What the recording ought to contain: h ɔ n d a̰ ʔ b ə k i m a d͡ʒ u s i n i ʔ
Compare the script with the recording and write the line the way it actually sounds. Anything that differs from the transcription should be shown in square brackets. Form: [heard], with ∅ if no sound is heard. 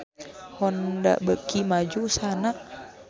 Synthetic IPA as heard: h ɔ n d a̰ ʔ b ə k i m a d͡ʒ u s [a] n [a] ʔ